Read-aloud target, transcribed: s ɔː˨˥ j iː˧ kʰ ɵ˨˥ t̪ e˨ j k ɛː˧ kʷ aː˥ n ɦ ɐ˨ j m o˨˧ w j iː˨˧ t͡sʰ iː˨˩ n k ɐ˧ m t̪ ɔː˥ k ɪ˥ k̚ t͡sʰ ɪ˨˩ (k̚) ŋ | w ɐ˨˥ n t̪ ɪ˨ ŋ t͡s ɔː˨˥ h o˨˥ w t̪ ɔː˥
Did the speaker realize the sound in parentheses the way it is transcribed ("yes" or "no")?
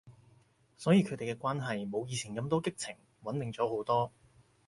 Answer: no